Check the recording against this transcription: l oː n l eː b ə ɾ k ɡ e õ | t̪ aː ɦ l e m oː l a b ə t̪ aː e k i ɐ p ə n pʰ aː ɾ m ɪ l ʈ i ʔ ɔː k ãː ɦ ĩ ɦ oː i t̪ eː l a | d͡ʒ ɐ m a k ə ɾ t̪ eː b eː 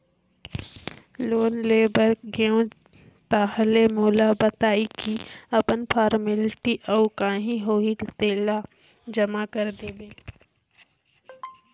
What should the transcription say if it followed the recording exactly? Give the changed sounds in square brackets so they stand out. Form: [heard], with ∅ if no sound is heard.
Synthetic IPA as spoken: l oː n l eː b ə ɾ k ɡ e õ | t̪ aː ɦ l e m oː l a b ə t̪ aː [i] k i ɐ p ə n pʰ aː ɾ m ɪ l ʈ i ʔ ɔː k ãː ɦ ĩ ɦ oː i t̪ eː l a | d͡ʒ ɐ m a k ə ɾ [d̪] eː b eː